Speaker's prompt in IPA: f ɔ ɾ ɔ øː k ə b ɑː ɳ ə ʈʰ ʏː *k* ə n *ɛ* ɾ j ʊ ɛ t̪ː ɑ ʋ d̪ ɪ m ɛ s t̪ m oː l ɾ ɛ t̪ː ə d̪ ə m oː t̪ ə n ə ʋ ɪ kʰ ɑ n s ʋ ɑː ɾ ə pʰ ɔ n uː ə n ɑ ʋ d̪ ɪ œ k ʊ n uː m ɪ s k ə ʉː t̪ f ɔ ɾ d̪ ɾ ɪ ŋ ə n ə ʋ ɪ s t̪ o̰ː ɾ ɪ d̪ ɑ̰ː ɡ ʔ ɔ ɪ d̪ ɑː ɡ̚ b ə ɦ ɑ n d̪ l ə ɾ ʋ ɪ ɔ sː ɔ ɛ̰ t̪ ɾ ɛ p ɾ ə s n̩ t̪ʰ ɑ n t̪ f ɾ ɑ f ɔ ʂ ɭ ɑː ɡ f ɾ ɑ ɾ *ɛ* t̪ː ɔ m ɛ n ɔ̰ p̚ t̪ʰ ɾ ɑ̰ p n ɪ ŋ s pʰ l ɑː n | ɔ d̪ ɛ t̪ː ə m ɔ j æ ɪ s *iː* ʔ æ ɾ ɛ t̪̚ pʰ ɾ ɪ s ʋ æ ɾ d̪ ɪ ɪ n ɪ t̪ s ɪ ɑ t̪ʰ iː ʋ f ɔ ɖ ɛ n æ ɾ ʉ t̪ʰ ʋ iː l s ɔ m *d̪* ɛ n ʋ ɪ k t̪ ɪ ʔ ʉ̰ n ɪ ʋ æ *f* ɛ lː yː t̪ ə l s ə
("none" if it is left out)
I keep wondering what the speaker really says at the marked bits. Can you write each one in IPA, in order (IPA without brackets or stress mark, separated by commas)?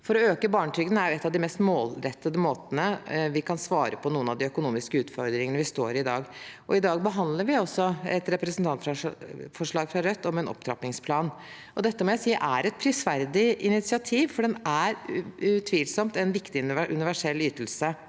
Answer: ɡ, æ, œ, iː, t̪, ʂ